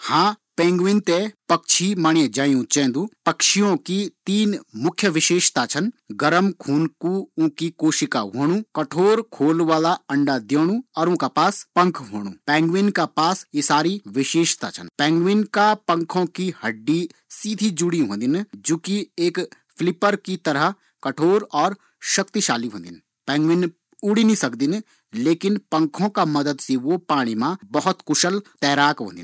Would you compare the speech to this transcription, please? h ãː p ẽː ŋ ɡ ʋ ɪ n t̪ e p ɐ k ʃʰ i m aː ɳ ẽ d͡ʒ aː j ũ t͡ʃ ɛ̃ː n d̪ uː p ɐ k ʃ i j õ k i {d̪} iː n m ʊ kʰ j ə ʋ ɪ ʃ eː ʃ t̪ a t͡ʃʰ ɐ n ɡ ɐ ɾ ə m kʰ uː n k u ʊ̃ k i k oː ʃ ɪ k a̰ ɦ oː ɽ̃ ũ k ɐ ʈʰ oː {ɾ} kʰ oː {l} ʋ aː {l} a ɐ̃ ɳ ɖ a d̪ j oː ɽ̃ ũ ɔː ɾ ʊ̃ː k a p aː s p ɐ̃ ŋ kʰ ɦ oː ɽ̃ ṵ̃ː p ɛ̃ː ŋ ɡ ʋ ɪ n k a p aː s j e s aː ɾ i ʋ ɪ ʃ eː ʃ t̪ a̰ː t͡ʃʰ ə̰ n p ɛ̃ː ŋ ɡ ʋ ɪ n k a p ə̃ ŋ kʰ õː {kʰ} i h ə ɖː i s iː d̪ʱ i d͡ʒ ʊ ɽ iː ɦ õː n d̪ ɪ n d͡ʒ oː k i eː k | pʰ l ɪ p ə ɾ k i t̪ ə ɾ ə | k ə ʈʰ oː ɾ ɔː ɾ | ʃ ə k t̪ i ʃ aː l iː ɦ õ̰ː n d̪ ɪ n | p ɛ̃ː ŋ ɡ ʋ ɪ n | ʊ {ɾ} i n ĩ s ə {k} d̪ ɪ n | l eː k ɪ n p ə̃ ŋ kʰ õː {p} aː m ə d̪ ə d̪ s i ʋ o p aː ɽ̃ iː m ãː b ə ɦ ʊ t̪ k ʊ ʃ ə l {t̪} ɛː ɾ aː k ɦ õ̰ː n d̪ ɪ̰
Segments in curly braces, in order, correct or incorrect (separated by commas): incorrect, correct, correct, correct, incorrect, incorrect, correct, incorrect, correct